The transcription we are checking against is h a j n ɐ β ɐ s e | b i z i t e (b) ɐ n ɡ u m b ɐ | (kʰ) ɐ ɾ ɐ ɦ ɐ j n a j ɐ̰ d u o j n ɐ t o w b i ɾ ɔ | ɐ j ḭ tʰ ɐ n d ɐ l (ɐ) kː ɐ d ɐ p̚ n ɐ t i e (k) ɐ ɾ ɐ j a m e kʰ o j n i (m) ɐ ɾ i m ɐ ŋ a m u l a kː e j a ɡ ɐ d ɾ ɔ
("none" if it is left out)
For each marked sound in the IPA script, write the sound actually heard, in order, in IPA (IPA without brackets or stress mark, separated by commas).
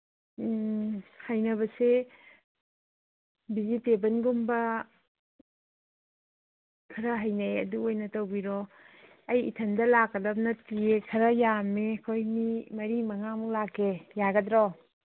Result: b, kʰ, a, kʰ, m